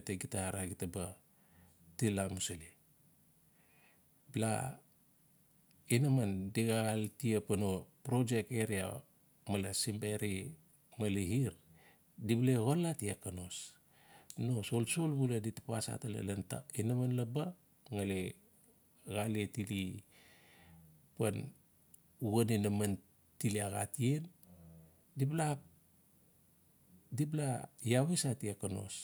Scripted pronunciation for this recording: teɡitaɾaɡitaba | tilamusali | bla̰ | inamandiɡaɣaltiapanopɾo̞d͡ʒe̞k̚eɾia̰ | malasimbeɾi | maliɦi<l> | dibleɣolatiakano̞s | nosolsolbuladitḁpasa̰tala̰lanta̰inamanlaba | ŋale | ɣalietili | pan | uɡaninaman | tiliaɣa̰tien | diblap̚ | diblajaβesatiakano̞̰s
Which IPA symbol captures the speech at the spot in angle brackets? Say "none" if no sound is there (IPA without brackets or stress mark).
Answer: ɾ